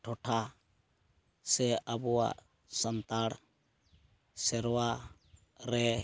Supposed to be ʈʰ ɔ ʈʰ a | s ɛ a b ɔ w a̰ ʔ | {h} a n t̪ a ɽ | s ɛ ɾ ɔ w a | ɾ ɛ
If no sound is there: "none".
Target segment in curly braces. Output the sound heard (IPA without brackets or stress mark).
s